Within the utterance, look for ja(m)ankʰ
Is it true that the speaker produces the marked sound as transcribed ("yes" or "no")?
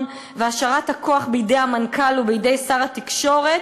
yes